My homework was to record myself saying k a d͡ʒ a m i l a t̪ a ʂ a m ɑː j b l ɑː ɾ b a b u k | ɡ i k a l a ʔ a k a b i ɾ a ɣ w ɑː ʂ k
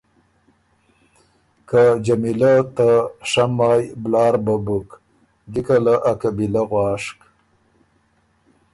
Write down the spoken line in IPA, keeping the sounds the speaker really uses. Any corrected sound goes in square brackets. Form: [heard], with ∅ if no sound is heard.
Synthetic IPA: k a d͡ʒ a m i l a t̪ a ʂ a m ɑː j b l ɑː ɾ b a b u k | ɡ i k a l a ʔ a k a b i [l] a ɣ w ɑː ʂ k